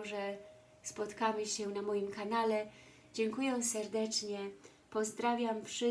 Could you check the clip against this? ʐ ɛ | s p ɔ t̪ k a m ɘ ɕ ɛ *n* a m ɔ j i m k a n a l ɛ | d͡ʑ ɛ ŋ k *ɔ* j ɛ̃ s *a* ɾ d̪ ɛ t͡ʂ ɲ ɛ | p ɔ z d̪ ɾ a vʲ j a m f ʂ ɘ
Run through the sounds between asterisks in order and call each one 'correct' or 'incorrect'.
correct, incorrect: u, incorrect: ɛ

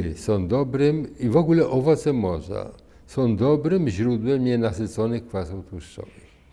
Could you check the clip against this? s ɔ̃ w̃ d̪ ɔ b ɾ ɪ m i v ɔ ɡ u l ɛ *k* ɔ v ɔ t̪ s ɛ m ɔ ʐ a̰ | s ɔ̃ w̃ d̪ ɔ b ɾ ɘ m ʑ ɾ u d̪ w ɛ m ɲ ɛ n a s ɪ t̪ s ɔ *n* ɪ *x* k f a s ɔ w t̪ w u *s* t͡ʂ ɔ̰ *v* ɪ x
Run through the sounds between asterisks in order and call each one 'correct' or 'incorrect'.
incorrect: ʔ, correct, correct, incorrect: ʂ, correct

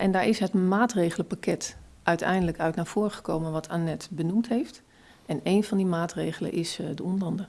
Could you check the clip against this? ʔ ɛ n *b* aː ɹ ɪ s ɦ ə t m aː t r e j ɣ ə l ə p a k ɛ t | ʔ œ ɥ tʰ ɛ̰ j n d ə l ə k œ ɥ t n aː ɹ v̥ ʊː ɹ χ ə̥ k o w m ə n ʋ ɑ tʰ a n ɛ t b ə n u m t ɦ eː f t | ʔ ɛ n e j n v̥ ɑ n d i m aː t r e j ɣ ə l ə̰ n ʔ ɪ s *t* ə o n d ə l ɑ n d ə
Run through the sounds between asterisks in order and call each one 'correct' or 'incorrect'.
incorrect: d, incorrect: d

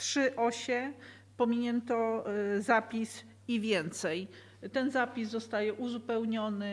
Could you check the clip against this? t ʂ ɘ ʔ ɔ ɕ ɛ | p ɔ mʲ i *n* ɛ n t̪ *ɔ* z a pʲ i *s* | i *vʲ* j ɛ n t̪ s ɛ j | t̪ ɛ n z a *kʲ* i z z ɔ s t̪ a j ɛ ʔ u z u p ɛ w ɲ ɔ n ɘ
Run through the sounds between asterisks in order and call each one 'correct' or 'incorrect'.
incorrect: ɲ, correct, correct, correct, incorrect: pʲ

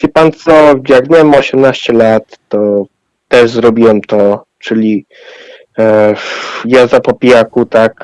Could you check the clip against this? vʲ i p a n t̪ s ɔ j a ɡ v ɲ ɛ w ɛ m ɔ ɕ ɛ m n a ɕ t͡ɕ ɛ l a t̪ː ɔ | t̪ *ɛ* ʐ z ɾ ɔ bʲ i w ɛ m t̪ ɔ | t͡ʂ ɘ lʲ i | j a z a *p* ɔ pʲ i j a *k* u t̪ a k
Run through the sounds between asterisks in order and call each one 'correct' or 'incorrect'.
correct, correct, correct

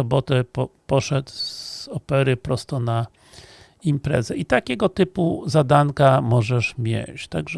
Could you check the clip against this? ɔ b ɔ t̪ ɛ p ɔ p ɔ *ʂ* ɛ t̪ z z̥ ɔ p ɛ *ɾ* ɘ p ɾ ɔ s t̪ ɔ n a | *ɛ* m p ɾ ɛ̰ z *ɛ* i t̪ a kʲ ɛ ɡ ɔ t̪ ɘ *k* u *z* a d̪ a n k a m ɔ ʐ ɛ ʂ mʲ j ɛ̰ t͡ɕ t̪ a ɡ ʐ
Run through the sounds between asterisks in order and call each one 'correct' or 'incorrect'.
correct, correct, incorrect: i, correct, incorrect: p, correct

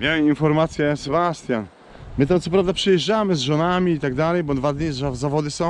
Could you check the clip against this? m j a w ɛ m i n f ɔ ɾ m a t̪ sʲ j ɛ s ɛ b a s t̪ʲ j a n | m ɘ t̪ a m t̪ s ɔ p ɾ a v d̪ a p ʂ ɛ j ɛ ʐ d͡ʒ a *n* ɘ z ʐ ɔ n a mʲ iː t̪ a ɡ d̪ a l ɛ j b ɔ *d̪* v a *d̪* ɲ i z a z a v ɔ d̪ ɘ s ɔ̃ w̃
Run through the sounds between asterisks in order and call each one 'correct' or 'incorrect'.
incorrect: m, correct, correct

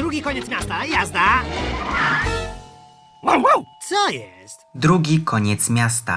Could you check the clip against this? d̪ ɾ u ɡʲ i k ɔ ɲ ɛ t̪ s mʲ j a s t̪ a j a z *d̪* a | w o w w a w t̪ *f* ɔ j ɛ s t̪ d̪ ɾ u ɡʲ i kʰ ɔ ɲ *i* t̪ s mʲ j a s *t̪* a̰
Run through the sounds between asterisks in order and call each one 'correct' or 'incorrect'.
correct, incorrect: s, incorrect: ɛ, correct

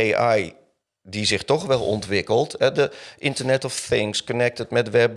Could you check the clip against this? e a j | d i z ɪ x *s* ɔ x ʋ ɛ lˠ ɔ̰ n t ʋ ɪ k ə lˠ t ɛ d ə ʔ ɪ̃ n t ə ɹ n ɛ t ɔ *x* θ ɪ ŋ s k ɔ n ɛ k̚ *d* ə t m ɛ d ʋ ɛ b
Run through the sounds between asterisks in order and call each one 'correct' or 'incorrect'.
incorrect: t, incorrect: f, incorrect: t

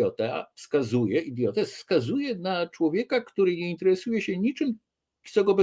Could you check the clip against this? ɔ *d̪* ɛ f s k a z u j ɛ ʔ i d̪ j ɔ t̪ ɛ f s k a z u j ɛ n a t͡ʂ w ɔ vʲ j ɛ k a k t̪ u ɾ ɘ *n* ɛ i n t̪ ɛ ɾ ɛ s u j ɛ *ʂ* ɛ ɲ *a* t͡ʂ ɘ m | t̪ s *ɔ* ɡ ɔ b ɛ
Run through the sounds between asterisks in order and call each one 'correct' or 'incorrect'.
incorrect: t̪, incorrect: ɲ, incorrect: ɕ, incorrect: i, correct

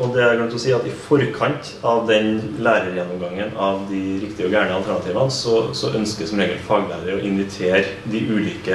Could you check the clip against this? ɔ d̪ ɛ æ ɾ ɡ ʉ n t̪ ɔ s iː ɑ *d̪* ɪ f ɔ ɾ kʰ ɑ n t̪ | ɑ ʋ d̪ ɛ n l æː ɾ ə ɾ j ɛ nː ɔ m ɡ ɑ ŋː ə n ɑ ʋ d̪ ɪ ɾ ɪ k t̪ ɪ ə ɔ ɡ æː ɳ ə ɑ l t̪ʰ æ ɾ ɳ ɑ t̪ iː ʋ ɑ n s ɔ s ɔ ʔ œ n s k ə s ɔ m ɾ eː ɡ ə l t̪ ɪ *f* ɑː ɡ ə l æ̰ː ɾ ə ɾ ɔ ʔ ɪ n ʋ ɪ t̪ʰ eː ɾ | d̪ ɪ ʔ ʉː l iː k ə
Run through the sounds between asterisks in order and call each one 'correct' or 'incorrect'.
incorrect: t̪, correct

